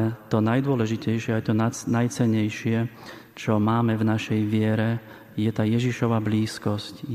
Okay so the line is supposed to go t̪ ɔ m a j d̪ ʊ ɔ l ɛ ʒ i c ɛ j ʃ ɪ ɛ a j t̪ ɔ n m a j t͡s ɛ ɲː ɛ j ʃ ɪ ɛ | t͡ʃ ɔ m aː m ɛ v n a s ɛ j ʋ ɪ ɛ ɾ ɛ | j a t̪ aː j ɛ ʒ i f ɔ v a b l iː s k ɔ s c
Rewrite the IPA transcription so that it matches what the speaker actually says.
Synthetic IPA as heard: t̪ ɔ n a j d̪ ʊ ɔ l ɛ ʒ i c ɛ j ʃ ɪ ɛ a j t̪ ɔ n n a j t͡s ɛ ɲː ɛ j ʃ ɪ ɛ | t͡ʃ ɔ m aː m ɛ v n a ʃ ɛ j ʋ ɪ ɛ ɾ ɛ | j ɛ t̪ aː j ɛ ʒ i ʃ ɔ ʋ a b l iː s k ɔ s c